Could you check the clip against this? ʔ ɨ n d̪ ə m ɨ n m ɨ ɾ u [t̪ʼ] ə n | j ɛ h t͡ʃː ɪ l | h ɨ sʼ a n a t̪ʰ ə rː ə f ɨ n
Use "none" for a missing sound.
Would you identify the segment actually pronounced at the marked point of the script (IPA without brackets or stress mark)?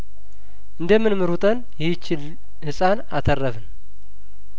t̪ʼ